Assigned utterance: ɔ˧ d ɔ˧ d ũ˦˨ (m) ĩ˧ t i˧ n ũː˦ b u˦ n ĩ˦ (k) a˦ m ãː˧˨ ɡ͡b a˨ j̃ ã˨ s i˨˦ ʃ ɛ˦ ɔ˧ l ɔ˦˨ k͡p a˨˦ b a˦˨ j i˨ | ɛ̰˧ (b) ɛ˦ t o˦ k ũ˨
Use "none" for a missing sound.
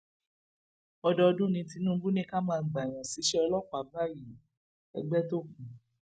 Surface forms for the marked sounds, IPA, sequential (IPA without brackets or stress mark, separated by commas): n, k, ɡ͡b